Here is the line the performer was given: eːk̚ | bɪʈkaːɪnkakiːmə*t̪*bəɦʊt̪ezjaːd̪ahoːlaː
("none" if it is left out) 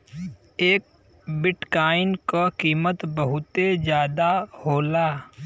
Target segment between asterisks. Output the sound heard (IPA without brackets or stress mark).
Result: t̪